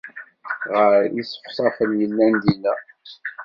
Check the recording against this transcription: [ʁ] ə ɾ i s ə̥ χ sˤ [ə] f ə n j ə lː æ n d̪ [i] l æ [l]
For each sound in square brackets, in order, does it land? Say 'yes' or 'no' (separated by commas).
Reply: yes, no, yes, no